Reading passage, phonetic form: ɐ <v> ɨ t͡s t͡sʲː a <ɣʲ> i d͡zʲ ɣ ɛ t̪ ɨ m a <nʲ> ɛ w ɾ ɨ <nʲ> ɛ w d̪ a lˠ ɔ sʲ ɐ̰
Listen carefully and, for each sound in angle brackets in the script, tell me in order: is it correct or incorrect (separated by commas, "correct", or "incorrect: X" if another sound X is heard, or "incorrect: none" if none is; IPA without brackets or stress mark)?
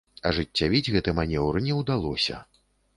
incorrect: ʐ, incorrect: vʲ, correct, correct